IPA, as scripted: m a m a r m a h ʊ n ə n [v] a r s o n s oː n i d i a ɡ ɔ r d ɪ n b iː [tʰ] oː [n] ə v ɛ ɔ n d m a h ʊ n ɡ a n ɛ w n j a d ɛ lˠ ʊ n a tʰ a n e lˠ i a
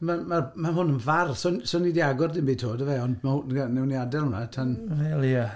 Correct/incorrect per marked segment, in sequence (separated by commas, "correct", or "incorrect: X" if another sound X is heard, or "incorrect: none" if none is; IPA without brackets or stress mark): correct, correct, incorrect: d